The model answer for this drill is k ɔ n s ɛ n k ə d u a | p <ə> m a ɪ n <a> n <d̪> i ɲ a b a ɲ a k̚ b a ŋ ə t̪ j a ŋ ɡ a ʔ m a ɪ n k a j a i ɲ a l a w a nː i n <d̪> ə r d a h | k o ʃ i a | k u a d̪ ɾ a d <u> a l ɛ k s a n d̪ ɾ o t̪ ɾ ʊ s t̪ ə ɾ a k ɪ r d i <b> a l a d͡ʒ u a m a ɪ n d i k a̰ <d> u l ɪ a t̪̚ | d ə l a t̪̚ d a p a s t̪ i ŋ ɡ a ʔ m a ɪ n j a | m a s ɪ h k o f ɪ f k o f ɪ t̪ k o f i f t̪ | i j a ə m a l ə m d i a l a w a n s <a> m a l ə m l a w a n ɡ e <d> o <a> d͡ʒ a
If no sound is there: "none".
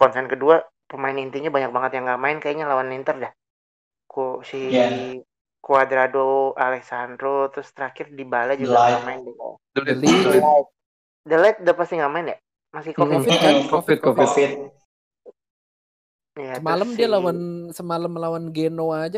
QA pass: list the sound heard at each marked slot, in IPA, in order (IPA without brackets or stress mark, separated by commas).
ə, i, t̪, t̪, o, b, d, ə, n, a